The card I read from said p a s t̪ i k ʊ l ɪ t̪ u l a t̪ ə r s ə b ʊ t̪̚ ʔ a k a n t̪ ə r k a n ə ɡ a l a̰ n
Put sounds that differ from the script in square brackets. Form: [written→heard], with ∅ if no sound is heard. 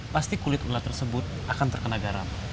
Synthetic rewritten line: p a s t̪ i k [ʊ→u] l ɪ t̪ u l a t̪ ə r s ə b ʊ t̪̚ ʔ a k a n t̪ ə r k [a→ə] n [ə→a] ɡ a [l→ɾ] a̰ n